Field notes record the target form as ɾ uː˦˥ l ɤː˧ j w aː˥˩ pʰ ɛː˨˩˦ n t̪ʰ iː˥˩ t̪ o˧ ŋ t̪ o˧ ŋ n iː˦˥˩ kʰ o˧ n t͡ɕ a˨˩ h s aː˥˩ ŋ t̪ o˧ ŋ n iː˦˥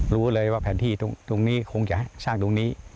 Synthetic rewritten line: ɾ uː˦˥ l ɤː˧ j w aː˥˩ pʰ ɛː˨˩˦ n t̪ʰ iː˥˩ t̪ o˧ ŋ t̪ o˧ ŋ n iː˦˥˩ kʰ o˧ ŋ t͡ɕ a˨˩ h s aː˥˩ ŋ t̪ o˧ ŋ n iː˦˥

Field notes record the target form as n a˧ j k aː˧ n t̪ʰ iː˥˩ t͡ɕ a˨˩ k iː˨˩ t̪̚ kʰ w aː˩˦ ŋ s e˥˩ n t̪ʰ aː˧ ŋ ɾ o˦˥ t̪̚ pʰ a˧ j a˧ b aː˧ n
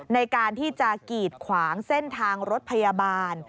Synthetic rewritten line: n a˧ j k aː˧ n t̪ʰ iː˥˩ t͡ɕ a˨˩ k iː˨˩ t̪̚ kʰ w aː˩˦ ŋ s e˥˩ n t̪ʰ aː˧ ŋ ɾ o˦˥ t̪̚ pʰ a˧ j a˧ b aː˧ n

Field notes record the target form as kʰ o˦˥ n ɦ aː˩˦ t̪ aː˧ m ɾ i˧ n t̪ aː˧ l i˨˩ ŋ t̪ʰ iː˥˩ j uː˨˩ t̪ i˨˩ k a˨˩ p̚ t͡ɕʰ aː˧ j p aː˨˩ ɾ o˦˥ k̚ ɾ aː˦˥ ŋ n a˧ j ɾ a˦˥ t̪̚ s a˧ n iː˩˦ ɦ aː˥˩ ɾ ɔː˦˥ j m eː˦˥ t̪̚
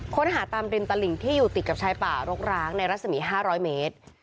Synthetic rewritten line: kʰ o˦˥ n ɦ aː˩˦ t̪ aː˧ m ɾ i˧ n t̪ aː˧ l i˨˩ ŋ t̪ʰ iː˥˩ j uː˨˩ t̪ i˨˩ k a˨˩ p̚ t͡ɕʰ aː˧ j p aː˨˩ ɾ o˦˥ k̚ ɾ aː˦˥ ŋ n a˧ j ɾ a˦˥ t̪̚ s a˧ m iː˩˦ ɦ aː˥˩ ɾ ɔː˦˥ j m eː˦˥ t̪̚

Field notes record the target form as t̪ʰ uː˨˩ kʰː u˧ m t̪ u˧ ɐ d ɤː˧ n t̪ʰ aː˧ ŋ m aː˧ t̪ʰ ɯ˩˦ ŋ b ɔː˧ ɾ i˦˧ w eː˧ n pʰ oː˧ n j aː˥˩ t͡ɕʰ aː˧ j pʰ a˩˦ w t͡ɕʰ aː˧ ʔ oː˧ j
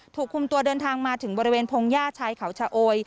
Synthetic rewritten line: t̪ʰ uː˨˩ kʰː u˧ m t̪ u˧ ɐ d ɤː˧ n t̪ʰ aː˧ ŋ m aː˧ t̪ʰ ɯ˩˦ ŋ b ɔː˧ ɾ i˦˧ w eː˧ n pʰ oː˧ ŋ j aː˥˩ t͡ɕʰ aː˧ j kʰ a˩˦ w t͡ɕʰ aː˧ ʔ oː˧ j

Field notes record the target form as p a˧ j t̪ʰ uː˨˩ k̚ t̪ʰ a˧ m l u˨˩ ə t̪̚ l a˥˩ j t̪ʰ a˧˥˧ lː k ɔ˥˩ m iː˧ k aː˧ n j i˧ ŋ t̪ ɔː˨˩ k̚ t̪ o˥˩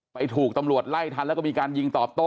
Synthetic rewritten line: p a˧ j t̪ʰ uː˨˩ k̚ t̪ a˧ m ɾ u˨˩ ə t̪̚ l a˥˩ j t̪ʰ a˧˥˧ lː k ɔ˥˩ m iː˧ k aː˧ n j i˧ ŋ t̪ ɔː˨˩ p̚ t̪ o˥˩

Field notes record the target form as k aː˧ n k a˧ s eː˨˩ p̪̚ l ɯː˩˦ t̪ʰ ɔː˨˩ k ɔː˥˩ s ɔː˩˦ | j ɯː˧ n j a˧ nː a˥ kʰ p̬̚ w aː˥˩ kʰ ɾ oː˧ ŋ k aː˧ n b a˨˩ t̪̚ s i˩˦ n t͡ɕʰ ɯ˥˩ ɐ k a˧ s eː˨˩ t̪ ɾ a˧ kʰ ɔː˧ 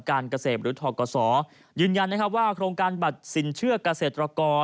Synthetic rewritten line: k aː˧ n k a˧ s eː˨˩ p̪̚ ɾ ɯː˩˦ t̪ʰ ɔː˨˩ k ɔː˧ s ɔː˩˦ | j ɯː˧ n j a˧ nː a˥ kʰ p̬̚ w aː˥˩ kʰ ɾ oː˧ ŋ k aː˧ n b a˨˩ t̪̚ s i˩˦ n t͡ɕʰ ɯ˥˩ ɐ k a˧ s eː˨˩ t̪ ɾ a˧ k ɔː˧

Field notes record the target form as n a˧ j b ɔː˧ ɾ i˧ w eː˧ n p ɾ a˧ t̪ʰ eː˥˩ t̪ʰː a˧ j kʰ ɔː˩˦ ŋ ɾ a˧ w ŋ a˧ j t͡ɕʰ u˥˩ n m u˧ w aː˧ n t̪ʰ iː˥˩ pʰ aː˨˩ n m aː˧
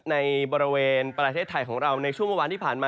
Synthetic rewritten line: n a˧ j b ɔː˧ ɾ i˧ w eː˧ n p ɾ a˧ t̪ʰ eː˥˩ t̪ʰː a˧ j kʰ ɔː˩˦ ŋ ɾ a˧ w n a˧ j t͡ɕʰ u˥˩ ŋ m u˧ w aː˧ n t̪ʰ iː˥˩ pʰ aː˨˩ n m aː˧

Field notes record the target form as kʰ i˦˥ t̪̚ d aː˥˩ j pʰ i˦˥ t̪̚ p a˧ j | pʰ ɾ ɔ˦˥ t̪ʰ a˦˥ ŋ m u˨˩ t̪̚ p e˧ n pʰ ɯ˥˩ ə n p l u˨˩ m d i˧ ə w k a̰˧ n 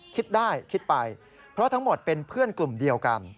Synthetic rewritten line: kʰ i˦˥ t̪̚ d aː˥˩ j kʰ i˦˥ t̪̚ p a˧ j | pʰ ɾ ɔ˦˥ t̪ʰ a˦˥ ŋ m o˨˩ t̪̚ p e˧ n pʰ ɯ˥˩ ə n k l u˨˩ m d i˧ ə w k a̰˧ n

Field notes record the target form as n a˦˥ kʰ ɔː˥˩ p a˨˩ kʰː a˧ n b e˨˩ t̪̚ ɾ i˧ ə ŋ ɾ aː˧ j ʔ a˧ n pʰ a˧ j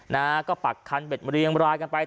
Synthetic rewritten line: n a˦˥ k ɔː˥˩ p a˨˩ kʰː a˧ n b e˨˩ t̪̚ ɾ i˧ ə ŋ ɾ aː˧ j k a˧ n p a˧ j

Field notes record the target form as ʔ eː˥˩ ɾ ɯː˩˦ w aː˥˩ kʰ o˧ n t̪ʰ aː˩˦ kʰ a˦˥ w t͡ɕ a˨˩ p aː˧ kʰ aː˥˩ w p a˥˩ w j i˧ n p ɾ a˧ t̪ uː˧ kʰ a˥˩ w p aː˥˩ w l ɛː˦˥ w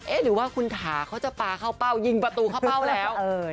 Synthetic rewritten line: ʔ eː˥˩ ɾ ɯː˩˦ w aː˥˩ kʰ u˧ n t̪ʰ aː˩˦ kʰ a˦˥ w t͡ɕ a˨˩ p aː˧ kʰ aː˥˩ w p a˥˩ w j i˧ ŋ p ɾ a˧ t̪ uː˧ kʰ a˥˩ w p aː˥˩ w l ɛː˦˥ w

